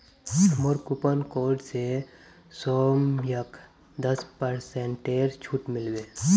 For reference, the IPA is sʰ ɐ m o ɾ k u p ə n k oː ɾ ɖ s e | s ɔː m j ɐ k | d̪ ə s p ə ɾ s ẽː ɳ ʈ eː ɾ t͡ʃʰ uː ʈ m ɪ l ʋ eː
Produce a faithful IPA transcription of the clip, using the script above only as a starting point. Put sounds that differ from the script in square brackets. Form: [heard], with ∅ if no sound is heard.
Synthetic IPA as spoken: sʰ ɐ m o ɾ k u p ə n k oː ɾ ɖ s e | s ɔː m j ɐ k | d̪ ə s p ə ɾ s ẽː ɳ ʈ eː ɾ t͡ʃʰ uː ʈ m ɪ l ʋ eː